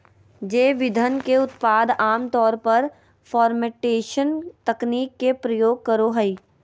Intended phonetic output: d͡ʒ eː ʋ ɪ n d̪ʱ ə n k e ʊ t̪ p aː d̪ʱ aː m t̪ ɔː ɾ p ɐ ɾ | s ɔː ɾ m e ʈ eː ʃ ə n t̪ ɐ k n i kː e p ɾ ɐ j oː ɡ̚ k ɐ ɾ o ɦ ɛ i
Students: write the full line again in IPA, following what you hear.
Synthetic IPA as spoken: d͡ʒ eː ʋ ɪ d̪ʱ ə n k e ʊ t̪ p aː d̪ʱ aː m t̪ ɔː ɾ p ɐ ɾ | f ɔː ɾ m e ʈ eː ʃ ə n t̪ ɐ k n iː kː e p ɾ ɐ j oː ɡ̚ k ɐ ɾ o ɦ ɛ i